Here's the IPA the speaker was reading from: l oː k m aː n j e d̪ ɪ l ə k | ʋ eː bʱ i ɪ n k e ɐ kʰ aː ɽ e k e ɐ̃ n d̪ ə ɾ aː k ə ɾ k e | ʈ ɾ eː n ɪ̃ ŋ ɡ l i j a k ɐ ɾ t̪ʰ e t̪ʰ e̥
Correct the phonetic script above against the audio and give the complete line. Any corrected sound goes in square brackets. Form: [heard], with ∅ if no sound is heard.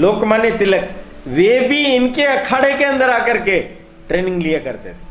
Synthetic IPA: l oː k m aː n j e [t̪] ɪ l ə k | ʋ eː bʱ i ɪ n k e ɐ kʰ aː ɽ e k e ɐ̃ n d̪ ə ɾ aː k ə ɾ k e | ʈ ɾ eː n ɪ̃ ŋ ɡ l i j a k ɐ ɾ [t̪] e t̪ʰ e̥